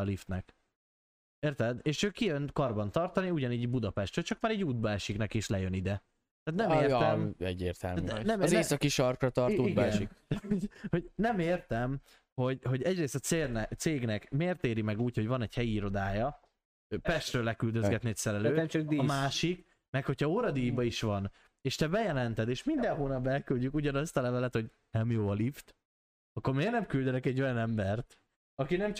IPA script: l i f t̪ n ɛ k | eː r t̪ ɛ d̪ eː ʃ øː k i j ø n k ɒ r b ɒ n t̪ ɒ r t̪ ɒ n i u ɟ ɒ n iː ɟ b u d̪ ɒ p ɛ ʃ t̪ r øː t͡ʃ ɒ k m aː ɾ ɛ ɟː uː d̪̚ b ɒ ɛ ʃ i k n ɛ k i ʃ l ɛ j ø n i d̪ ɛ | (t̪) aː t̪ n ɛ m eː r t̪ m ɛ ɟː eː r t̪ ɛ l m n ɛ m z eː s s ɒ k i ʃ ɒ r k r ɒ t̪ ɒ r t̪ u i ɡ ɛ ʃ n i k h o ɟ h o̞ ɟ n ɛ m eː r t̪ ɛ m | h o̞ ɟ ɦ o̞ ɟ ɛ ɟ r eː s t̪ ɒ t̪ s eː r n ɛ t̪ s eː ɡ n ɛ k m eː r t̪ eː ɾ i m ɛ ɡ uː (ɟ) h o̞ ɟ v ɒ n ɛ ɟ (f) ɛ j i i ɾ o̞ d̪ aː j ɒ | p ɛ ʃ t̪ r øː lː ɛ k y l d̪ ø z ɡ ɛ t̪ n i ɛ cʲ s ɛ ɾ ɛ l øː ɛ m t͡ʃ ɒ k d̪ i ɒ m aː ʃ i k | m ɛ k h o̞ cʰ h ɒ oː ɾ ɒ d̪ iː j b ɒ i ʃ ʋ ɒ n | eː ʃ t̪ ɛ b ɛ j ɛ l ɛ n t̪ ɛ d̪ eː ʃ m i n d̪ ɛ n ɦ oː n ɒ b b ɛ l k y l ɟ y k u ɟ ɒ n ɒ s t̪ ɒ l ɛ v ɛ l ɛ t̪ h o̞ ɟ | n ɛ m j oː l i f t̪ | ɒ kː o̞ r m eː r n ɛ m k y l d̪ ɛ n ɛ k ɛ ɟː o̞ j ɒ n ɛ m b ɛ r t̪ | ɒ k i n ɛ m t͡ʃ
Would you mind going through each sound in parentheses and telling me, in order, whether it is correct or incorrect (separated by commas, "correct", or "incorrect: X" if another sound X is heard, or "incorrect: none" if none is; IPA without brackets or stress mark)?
correct, incorrect: c, incorrect: h